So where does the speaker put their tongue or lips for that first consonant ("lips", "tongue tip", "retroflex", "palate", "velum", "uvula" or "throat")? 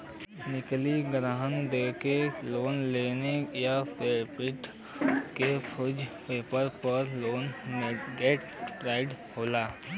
tongue tip